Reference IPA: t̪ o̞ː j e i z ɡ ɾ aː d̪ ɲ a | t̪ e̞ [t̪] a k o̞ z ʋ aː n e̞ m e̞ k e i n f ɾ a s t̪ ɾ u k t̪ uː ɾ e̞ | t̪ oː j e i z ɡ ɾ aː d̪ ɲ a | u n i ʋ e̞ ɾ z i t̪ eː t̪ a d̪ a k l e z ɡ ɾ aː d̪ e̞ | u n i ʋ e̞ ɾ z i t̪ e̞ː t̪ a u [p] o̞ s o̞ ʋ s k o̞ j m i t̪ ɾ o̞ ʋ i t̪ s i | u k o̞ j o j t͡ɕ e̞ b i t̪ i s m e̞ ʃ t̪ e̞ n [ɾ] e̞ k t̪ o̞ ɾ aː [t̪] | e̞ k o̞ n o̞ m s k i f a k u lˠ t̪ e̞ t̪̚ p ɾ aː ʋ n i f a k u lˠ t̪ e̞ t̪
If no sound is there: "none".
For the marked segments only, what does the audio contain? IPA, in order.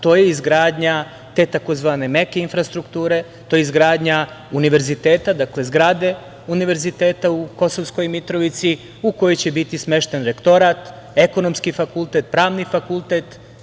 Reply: t̪, k, ɾ, t̪

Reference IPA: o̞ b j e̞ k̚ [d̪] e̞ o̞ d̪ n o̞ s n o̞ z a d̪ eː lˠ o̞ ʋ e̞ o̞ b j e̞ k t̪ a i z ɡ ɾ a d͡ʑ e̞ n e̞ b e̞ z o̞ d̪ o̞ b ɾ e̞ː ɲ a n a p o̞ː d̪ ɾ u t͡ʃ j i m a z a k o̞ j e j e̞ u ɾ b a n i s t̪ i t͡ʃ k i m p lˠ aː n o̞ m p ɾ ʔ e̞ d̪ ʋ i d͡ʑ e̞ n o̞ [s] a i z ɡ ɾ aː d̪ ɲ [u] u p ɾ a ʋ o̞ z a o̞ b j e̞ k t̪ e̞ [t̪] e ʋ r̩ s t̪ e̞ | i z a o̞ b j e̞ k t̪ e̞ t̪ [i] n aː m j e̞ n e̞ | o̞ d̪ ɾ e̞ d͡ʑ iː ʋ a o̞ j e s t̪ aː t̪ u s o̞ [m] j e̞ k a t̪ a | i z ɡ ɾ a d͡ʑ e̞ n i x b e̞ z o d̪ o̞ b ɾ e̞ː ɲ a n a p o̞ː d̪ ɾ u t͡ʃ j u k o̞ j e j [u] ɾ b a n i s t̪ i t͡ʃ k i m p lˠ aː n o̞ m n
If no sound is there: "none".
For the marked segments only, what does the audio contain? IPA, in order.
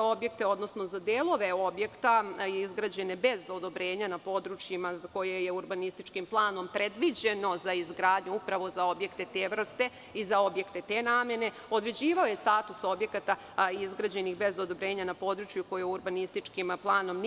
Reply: t̪, z, u, t̪, e, b, u

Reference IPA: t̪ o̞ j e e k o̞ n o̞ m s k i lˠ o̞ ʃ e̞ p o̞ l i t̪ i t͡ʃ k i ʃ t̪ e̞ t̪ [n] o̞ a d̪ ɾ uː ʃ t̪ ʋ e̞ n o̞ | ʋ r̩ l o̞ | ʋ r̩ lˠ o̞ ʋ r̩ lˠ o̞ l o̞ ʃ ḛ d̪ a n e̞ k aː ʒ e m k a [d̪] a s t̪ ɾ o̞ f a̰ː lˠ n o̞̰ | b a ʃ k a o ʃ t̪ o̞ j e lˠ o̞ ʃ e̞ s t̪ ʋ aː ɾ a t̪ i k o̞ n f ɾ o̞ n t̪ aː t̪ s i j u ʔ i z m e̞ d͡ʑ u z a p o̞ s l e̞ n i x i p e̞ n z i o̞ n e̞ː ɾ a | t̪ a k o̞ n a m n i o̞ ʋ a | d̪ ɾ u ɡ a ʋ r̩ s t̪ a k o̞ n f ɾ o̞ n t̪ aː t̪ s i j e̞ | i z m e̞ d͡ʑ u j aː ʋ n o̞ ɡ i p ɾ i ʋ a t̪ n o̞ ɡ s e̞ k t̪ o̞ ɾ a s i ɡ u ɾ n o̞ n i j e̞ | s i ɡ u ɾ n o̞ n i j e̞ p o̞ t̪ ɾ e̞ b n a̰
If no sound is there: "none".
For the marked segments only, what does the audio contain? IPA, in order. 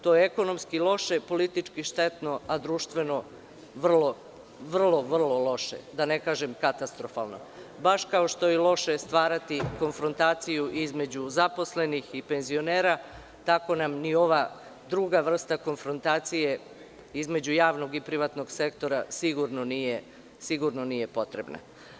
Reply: n, t̪

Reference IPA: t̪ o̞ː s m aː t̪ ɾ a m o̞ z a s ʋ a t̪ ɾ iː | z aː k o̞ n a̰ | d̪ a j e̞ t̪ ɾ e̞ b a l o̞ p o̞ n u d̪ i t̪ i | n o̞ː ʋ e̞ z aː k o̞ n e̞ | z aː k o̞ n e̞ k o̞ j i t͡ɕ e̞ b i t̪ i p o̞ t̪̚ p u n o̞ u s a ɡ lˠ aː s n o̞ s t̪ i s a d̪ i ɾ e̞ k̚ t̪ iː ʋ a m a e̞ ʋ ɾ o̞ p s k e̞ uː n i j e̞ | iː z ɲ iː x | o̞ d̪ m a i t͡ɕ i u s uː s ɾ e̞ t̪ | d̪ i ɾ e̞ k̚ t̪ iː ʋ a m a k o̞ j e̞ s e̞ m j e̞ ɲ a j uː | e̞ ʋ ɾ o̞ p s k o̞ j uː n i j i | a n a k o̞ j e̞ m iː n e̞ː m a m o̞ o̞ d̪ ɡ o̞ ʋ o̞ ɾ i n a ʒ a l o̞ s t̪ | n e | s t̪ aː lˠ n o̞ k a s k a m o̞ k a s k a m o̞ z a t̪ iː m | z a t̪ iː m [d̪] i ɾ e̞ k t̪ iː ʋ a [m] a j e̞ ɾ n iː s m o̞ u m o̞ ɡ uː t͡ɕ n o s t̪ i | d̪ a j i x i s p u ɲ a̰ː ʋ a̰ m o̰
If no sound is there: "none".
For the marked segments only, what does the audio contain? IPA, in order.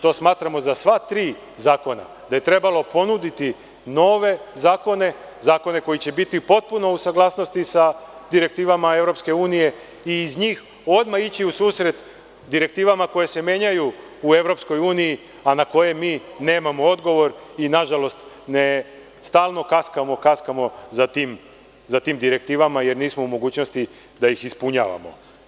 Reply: d̪, m

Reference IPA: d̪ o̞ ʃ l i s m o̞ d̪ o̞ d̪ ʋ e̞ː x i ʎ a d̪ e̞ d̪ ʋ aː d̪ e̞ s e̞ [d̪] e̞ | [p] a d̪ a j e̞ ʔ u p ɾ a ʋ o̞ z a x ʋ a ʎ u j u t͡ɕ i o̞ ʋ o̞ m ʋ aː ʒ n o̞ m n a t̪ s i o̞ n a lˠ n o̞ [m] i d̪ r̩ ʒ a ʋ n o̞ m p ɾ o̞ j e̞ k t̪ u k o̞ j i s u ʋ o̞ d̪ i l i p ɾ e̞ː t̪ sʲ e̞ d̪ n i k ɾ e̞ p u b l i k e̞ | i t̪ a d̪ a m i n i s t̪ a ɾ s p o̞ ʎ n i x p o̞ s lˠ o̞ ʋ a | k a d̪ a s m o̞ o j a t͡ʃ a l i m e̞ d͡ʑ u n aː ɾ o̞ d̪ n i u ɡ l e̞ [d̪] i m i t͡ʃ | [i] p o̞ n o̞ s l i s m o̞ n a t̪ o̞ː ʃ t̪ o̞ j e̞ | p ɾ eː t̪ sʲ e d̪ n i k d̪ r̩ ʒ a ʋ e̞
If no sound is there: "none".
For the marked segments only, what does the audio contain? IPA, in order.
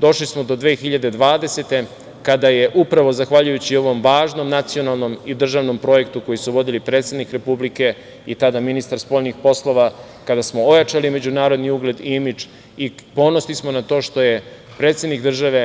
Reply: t̪, k, m, d̪, i

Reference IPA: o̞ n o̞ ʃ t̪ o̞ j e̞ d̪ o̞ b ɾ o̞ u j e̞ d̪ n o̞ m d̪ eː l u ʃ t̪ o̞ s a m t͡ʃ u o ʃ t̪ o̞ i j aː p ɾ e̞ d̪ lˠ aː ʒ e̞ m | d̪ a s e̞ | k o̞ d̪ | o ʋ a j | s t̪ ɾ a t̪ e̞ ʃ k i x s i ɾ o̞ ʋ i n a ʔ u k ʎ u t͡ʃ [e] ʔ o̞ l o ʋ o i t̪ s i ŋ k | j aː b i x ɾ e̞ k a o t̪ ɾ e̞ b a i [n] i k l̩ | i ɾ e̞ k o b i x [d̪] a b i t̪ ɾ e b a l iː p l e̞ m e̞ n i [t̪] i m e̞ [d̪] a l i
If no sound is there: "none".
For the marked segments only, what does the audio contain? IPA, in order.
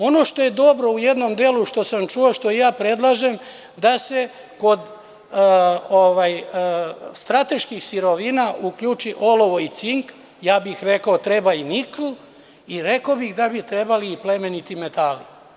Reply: i, n, d̪, t̪, t̪

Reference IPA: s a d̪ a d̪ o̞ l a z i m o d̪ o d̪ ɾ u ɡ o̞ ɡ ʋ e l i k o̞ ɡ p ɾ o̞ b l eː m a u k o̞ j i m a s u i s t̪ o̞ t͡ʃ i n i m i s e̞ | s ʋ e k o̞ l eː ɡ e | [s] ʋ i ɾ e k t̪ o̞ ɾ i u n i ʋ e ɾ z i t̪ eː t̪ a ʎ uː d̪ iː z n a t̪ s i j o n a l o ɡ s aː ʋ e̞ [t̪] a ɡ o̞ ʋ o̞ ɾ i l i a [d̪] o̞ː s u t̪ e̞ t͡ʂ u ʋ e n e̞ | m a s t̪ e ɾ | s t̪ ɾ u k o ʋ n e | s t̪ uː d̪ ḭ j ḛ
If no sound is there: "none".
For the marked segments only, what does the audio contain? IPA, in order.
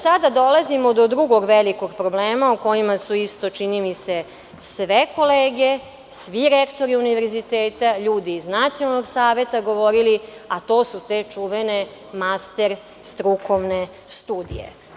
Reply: s, t̪, t̪

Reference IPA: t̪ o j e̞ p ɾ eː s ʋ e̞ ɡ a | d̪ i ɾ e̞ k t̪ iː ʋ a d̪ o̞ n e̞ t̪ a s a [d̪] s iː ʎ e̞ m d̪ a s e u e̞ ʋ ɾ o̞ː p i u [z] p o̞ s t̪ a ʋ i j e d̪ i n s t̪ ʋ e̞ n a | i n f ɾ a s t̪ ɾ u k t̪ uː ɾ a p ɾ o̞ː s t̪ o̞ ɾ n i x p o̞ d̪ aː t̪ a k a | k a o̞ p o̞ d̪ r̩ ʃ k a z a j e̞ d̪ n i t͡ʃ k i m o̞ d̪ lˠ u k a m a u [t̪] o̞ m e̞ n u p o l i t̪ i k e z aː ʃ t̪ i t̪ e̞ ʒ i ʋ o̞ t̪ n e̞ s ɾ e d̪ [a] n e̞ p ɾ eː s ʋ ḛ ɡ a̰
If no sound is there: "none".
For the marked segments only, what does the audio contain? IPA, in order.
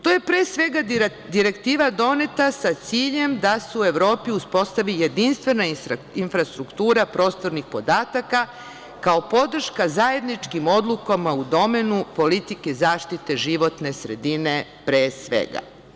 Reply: t̪, s, d̪, i

